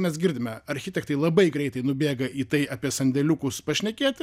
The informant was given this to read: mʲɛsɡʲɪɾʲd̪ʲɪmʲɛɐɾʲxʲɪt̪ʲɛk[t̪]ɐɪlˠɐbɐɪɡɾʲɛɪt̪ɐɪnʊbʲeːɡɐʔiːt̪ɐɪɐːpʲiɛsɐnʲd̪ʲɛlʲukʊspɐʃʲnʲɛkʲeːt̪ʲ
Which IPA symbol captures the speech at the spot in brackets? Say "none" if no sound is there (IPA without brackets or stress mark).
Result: t̪